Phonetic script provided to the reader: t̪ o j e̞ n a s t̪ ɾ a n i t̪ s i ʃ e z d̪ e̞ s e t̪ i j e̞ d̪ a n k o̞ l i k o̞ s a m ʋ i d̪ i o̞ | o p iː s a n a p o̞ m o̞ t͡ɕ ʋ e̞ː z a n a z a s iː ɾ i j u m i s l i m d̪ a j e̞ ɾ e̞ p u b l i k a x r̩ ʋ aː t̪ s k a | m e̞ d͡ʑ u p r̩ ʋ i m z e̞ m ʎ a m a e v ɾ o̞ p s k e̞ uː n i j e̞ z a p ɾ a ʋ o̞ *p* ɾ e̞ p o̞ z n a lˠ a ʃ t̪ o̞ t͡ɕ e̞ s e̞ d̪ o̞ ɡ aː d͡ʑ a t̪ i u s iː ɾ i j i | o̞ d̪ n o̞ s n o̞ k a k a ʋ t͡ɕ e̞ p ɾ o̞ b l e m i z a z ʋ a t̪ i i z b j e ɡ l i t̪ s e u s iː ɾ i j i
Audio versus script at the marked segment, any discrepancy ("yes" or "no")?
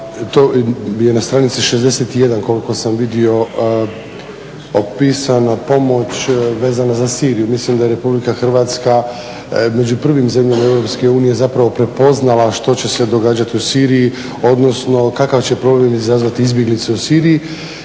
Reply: no